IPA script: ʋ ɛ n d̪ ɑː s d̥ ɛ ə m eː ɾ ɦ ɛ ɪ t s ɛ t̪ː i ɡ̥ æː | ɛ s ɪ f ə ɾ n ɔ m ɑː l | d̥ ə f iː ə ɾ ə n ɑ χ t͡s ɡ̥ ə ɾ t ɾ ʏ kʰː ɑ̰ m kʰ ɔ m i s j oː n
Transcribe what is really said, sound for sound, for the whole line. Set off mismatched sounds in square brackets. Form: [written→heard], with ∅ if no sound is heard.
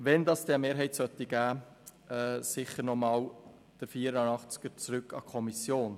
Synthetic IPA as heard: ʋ ɛ n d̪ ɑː s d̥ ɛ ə m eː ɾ ɦ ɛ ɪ t s [ɛ→œ] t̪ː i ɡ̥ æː | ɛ s ɪ [f→χ] ə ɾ n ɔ m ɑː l | d̥ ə f iː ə ɾ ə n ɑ χ t͡s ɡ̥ ə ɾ [t→t͡s] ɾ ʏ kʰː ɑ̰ [m→∅] kʰ ɔ m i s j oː n